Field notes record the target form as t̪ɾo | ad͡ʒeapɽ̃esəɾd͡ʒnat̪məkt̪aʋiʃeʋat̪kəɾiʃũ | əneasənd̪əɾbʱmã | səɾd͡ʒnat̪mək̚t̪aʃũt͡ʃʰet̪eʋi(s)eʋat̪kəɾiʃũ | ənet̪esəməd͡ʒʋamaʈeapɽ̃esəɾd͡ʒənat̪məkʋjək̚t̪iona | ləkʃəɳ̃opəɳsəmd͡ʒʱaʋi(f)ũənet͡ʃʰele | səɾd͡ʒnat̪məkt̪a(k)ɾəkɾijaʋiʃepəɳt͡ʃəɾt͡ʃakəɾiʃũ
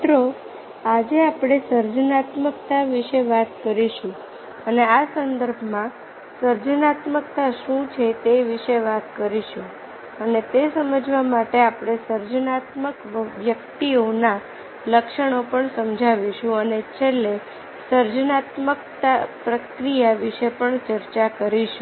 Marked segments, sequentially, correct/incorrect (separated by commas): incorrect, incorrect, incorrect